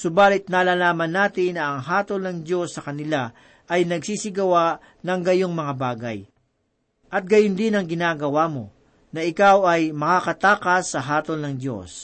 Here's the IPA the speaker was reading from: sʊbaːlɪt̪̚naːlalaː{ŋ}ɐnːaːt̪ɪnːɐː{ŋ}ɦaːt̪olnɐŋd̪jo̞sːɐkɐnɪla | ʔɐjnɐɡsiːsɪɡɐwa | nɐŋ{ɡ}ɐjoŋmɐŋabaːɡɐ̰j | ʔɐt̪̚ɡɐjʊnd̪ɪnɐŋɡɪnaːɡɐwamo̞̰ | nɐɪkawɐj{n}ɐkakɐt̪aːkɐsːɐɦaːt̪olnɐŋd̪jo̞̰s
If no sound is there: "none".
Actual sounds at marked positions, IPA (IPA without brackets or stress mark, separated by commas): m, ŋ, ɡ, m